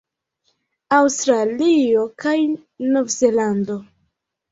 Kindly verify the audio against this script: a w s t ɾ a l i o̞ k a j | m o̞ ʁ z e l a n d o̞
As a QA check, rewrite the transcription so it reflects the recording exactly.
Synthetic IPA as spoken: a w s t ɾ a l i o̞ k a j | n o̞ v z e l a n d o̞